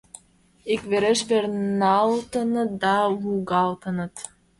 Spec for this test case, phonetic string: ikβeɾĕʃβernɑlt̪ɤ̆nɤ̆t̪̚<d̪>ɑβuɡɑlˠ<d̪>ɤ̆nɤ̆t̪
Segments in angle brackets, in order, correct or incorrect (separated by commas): correct, incorrect